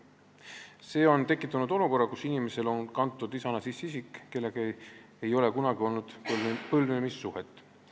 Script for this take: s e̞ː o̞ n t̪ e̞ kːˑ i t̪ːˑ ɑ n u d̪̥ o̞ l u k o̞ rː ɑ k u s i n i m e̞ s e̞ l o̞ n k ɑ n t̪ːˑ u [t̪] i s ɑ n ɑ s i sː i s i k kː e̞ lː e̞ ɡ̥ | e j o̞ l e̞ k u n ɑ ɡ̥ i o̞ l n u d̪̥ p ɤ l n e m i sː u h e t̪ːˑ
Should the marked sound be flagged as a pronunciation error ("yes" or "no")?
yes